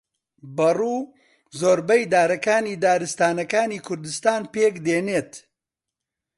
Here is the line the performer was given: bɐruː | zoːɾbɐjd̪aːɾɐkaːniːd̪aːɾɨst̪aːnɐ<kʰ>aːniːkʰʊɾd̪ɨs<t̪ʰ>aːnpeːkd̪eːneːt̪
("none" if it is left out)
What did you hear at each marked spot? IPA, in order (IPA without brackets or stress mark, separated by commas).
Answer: k, t̪